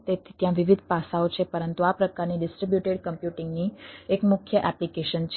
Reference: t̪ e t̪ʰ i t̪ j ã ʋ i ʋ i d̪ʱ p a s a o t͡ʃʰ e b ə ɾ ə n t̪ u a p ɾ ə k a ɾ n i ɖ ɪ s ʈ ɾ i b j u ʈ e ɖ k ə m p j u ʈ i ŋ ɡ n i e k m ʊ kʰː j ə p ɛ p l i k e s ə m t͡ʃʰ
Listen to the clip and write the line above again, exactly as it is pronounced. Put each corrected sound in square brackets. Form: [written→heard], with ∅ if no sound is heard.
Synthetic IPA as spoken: t̪ e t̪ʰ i t̪ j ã ʋ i ʋ i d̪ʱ p a s a o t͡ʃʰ e [b→p] ə ɾ ə n t̪ u a p ɾ ə k a ɾ n i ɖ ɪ s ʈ ɾ i b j u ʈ e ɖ k ə m p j u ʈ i ŋ ɡ n i e k m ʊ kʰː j ə [p→ʔ] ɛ p l i k e [s→ʃ] ə [m→n] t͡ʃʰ

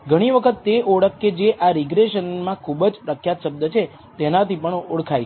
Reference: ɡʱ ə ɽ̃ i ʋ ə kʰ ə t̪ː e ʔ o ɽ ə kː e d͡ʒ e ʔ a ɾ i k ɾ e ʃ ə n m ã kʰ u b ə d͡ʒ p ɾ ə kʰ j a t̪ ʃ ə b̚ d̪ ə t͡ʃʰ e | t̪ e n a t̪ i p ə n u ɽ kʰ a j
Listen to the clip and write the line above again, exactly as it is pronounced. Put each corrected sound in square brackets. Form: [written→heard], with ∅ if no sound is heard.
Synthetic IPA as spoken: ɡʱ ə ɽ̃ i ʋ ə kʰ ə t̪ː e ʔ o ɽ ə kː e d͡ʒ e ʔ a ɾ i [k→ɡ] ɾ e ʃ ə n m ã kʰ u b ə d͡ʒ p ɾ ə kʰ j a t̪ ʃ ə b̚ d̪ ə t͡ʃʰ e | t̪ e n a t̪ i p ə [n→ɳ] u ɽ kʰ a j

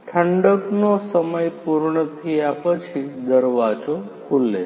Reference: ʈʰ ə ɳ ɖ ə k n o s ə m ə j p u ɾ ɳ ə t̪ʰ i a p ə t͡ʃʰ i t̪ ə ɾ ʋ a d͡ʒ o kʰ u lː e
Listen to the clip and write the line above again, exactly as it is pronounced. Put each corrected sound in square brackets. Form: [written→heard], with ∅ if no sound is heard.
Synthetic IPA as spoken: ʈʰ ə ɳ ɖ ə k n o s ə m ə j p u ɾ ɳ ə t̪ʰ i a p ə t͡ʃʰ i [t̪→d̪] ə ɾ ʋ a d͡ʒ o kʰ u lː e

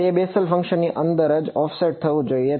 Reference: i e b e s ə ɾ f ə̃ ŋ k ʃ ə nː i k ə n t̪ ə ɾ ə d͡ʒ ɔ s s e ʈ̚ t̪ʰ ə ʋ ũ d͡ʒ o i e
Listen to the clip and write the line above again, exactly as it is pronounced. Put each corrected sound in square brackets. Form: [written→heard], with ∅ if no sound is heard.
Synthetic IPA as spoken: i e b e s ə [ɾ→l] f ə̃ ŋ k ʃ ə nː i [k→ʔ] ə n [t̪→d̪] ə ɾ ə d͡ʒ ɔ [s→f] s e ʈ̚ t̪ʰ ə ʋ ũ d͡ʒ o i e

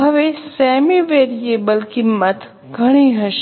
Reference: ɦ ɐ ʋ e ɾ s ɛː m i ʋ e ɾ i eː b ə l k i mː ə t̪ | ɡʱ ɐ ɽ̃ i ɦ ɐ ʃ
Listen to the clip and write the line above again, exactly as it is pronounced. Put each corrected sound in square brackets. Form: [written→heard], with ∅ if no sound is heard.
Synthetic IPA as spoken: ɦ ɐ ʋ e [ɾ→∅] s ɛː m i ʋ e ɾ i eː b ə l k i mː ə t̪ | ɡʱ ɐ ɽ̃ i ɦ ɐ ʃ

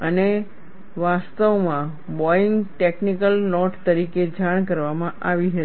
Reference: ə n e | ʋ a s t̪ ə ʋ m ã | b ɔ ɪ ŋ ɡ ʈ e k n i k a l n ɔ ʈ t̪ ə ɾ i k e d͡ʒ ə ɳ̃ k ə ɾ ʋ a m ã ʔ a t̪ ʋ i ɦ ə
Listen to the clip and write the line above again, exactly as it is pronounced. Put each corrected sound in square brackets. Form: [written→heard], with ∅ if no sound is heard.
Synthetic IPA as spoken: ə n e | ʋ a s t̪ ə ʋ m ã | b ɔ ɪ ŋ ɡ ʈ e k n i k [a→ə] l n ɔ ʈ t̪ ə ɾ i k e d͡ʒ [ə→a] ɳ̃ k ə ɾ ʋ a m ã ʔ a [t̪→∅] ʋ i ɦ ə

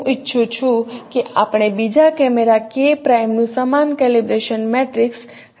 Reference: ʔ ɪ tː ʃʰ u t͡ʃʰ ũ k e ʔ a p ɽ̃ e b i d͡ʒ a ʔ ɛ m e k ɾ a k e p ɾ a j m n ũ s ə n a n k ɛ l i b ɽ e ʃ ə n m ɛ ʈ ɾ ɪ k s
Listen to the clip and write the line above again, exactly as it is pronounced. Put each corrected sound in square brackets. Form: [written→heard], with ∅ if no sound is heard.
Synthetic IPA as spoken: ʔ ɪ tː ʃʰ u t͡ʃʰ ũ k e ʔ a p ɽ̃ e b i d͡ʒ a [ʔ→k] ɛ m e [k→∅] ɾ a k e p ɾ a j m n ũ s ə [n→m] a n k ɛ l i b [ɽ→ɾ] e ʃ ə n m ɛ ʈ ɾ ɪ k s

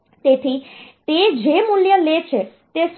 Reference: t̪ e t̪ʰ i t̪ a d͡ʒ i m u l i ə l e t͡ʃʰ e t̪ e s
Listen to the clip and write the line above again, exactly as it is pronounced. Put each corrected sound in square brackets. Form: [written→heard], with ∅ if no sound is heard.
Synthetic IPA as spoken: t̪ e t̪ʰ i t̪ [a→e] d͡ʒ [i→e] m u l [i→j] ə l e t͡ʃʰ e t̪ e s

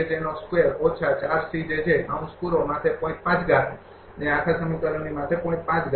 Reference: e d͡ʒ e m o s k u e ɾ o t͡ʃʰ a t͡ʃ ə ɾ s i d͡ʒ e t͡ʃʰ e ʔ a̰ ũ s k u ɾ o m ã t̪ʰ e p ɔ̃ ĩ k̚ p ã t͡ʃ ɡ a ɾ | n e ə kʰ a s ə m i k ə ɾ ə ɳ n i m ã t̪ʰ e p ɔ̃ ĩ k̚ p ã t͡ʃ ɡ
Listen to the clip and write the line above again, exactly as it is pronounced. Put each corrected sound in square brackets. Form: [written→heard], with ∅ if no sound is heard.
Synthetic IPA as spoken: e d͡ʒ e [m→n] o s k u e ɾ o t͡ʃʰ a t͡ʃ [ə→a] ɾ s i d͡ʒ e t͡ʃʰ e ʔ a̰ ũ s k u ɾ o m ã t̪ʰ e p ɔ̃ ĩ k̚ p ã t͡ʃ ɡ a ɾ | n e [ə→a] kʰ a s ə m i k ə ɾ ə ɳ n i m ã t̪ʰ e p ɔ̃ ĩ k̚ p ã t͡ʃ ɡ

